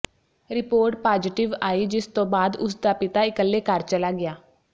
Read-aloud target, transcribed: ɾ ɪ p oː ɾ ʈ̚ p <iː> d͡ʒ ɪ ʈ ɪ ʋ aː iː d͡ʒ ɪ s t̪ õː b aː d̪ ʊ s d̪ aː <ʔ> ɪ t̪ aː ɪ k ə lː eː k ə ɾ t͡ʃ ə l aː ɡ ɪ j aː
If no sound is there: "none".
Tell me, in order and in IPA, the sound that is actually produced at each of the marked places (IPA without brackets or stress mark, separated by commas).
aː, p